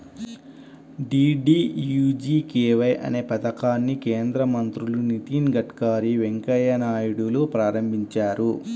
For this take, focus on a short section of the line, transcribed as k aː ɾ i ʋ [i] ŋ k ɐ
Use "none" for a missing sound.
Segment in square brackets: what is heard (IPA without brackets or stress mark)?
e